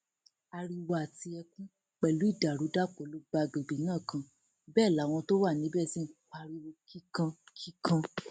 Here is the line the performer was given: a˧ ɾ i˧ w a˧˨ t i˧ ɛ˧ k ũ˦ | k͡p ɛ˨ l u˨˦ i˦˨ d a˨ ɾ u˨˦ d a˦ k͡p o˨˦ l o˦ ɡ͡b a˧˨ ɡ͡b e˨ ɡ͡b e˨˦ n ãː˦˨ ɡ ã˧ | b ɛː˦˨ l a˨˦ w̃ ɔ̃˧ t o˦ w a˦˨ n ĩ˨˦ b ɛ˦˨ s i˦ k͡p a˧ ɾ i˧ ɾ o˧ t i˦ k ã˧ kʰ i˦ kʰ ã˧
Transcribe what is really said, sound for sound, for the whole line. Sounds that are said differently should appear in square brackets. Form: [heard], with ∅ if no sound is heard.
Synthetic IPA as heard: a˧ ɾ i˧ w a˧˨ t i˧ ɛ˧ k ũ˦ | k͡p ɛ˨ l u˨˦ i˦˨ d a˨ ɾ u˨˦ d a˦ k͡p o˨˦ l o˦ ɡ͡b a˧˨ ɡ͡b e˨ ɡ͡b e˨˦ n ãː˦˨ [k] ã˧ | b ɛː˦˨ l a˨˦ w̃ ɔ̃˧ t o˦ w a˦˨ n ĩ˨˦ b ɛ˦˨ s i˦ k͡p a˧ ɾ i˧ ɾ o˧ [k] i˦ k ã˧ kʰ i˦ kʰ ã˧